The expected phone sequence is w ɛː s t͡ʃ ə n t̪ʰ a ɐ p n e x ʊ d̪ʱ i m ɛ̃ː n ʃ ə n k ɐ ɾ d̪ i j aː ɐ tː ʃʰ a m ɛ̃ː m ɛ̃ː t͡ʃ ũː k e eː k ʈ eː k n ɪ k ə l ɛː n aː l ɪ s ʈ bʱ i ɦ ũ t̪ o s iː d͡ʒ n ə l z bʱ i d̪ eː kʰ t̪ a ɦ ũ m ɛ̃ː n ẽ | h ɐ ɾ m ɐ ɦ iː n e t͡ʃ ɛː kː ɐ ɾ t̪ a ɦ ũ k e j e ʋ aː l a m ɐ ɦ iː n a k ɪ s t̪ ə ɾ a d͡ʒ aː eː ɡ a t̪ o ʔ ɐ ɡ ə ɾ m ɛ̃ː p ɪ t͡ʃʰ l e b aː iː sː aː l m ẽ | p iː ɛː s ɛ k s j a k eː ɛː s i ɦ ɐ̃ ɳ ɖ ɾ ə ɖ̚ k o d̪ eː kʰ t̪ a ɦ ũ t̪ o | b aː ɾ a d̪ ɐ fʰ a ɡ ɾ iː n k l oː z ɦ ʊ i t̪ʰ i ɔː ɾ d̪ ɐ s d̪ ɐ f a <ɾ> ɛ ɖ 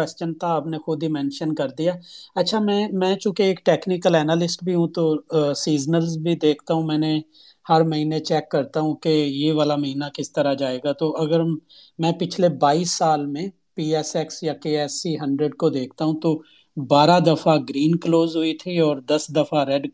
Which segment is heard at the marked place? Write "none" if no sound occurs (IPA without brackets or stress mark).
ɾ